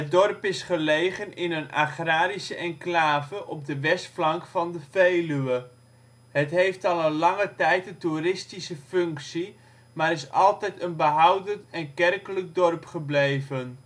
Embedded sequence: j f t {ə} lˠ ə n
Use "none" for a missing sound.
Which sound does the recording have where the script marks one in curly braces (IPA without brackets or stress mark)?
ɑ